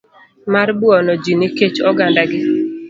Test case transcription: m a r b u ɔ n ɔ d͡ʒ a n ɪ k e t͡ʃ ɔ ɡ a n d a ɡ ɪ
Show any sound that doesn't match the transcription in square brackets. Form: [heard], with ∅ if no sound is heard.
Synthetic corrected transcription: m a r b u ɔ n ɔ d͡ʒ [i] n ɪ k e t͡ʃ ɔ ɡ a n d a ɡ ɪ